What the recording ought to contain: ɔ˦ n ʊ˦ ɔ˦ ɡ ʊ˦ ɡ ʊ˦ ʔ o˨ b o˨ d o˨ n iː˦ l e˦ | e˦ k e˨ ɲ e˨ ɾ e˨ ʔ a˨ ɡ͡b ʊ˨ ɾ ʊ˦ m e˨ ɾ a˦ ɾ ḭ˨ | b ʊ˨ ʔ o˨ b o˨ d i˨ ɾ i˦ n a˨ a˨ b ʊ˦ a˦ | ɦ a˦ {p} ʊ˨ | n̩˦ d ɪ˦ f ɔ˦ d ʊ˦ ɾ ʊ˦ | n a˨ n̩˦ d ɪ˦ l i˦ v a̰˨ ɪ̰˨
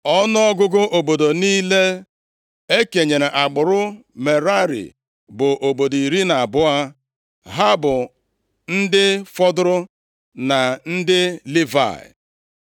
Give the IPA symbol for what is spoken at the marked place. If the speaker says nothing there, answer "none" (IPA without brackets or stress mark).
b